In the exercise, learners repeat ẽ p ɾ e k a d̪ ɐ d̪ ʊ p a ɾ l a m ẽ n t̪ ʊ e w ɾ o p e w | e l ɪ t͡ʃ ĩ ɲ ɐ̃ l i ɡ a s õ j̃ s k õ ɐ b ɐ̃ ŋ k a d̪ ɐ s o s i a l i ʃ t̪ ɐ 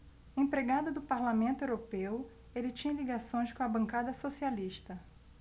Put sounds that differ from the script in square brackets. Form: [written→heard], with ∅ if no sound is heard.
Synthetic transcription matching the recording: ẽ p ɾ e [k→ɡ] a d̪ ɐ d̪ ʊ p a ɾ l a m ẽ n t̪ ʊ e w ɾ o p e w | e l ɪ t͡ʃ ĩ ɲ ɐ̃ l i ɡ a s õ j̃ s k õ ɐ b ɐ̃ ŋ k a d̪ ɐ s o s i a l i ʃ t̪ ɐ